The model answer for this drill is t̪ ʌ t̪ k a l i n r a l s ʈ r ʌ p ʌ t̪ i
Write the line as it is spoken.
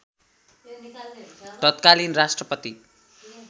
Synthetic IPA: t̪ ʌ t̪ k a l i n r a s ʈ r ʌ p ʌ t̪ i